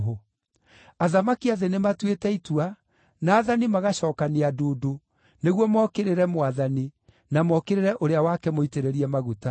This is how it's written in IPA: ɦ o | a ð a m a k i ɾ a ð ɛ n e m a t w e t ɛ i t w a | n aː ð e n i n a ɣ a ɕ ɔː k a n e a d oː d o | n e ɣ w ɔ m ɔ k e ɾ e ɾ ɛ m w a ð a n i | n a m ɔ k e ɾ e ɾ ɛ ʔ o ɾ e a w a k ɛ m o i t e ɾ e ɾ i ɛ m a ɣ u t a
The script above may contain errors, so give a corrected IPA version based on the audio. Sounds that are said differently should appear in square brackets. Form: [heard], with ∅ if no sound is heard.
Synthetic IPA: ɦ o | a ð a m a k i [∅] a ð [e] n e m a t w e t ɛ i t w a | n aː ð [a] n i [m] a ɣ a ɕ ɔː k a n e a d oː d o | n e ɣ w ɔ m ɔ k e ɾ e ɾ ɛ m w a ð a n i | n a m ɔ k e ɾ e ɾ ɛ ʔ o ɾ e a w a k ɛ m o i t e ɾ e ɾ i ɛ m a ɣ u t a